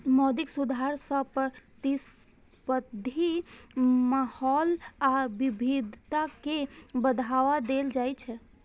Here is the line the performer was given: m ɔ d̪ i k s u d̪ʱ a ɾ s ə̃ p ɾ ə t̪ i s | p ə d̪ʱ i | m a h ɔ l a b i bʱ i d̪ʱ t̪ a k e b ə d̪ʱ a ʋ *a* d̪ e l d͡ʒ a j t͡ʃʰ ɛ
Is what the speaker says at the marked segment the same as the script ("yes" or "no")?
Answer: yes